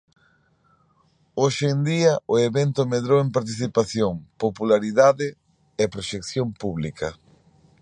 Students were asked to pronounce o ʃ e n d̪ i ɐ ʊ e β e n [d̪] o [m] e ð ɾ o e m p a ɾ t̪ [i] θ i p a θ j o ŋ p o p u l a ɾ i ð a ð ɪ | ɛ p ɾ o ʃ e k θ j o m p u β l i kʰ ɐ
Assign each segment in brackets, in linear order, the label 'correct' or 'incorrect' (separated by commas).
incorrect, correct, correct